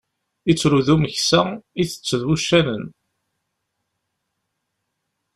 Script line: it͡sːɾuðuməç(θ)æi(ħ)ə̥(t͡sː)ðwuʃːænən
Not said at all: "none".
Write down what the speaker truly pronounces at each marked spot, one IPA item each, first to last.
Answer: s, θ, t͡sː

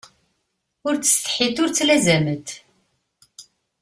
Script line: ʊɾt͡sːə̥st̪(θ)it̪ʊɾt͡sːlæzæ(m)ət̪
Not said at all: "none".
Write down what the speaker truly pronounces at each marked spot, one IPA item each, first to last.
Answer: ħ, m

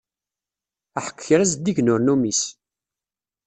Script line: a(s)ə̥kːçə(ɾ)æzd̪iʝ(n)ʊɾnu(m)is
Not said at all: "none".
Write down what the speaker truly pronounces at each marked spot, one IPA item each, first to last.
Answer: ħ, ɾ, n, m

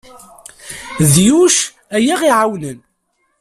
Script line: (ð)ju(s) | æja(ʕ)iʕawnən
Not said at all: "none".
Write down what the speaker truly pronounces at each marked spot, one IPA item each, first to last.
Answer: ð, ʃ, ʁ

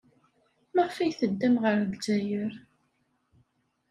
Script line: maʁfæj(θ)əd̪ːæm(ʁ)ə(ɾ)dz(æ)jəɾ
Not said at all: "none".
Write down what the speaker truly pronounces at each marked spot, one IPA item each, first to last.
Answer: θ, ʁ, ɾ, æ

